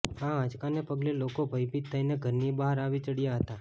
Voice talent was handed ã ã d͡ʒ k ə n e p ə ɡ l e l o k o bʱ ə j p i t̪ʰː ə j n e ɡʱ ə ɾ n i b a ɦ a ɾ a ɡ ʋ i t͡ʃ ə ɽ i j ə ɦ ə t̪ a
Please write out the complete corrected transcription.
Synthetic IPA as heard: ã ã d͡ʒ k a n e p ə ɡ l e l o k o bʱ ə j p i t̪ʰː ə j n e ɡʱ ə ɾ n i b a ɦ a ɾ a ʋ i t͡ʃ ə ɽ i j a ɦ ə t̪ a